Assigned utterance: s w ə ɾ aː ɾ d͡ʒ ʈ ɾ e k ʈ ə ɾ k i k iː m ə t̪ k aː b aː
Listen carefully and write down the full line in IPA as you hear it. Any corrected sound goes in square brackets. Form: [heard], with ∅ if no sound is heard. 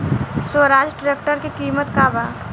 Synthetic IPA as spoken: s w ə ɾ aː [∅] d͡ʒ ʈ ɾ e k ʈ ə ɾ k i k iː m ə t̪ k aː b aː